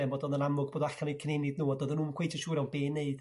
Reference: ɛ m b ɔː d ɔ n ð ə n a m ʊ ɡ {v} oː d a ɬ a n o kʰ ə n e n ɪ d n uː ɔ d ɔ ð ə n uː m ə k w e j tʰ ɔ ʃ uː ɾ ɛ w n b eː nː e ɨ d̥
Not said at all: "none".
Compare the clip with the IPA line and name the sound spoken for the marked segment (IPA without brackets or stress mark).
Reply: b